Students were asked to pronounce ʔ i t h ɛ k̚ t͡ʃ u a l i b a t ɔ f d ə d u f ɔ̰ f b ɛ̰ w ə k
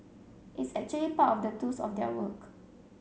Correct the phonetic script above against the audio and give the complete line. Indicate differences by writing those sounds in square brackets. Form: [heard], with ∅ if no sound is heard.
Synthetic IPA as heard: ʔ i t [s] ɛ k̚ t͡ʃ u [ə] l i [p] a t ɔ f d ə [t] u [s] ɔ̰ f [d] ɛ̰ w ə k

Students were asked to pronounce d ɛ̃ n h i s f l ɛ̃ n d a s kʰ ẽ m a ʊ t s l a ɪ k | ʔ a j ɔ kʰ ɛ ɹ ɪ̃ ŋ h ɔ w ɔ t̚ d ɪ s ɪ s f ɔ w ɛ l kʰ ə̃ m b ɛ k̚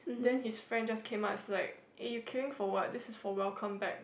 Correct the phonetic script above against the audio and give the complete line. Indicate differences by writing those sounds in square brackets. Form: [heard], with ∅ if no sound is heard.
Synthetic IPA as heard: d ɛ̃ n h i s f [ɹ] ɛ̃ n [d͡ʒ] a s kʰ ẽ m a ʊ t s l a ɪ k | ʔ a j [u] kʰ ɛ ɹ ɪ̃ ŋ [f] ɔ w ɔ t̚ d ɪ s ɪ s f ɔ w ɛ l kʰ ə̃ m b ɛ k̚

